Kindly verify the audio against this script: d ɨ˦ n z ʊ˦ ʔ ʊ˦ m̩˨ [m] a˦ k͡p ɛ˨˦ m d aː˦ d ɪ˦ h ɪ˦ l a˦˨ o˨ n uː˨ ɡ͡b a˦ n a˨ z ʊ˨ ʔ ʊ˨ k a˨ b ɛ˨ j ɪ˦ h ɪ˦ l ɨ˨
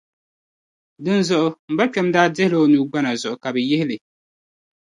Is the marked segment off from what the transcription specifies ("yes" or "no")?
yes